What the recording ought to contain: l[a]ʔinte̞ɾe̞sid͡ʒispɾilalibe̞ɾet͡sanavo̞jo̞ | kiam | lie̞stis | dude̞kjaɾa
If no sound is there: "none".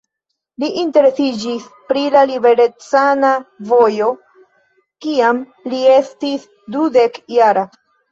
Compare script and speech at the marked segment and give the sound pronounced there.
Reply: i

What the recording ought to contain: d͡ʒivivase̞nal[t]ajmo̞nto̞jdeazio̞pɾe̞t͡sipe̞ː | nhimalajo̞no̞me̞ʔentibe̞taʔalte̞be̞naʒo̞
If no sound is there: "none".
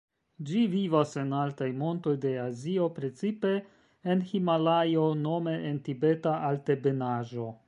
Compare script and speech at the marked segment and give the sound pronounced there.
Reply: t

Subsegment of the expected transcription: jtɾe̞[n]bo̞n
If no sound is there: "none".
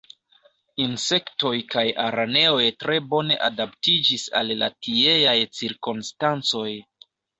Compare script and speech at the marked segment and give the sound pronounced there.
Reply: none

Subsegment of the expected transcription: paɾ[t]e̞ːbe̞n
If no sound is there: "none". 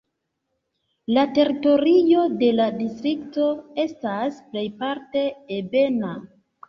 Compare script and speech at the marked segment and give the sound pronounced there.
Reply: t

